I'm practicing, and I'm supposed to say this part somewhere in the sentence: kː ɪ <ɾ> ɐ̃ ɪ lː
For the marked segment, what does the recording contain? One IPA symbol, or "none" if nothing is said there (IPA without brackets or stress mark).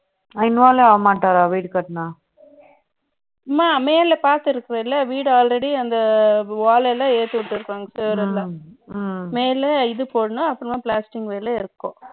ɾ